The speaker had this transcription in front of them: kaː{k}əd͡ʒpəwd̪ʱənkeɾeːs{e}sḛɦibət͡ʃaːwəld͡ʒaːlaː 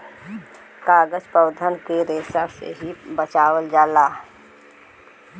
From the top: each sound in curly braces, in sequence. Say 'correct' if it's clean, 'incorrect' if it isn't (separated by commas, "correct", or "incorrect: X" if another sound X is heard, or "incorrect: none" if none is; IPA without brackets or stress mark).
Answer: incorrect: ɡ, incorrect: a